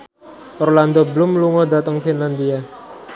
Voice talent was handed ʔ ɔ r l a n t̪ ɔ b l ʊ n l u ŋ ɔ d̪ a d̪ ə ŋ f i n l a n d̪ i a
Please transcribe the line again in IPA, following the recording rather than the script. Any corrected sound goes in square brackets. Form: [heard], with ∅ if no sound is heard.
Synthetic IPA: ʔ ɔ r l a n [d̪] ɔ b l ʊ [m] l u ŋ ɔ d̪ a [t̪] ə ŋ f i n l a n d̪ i a